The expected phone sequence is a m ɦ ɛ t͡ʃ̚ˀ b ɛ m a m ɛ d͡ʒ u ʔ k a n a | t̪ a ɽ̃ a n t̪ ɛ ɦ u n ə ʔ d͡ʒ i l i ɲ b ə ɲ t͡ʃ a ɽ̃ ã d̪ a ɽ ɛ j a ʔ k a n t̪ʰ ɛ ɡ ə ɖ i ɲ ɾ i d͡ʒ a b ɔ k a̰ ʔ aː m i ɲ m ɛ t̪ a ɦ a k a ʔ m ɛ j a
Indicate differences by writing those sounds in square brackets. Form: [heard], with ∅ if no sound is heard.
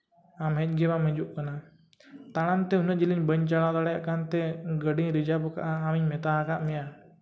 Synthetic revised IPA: a m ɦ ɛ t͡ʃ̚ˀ [ɡ] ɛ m a m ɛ d͡ʒ u ʔ k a n a | t̪ a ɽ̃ a n t̪ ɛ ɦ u n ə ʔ d͡ʒ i l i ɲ b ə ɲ t͡ʃ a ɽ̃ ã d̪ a ɽ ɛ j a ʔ k a n [t̪] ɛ ɡ ə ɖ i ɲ ɾ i d͡ʒ a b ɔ k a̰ ʔ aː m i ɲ m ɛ t̪ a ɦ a k a ʔ m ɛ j a